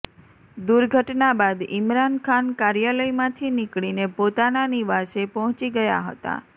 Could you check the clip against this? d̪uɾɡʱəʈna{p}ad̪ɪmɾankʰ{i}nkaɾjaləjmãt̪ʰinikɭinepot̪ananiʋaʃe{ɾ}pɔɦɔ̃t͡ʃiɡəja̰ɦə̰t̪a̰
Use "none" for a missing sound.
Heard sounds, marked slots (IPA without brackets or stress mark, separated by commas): b, a, none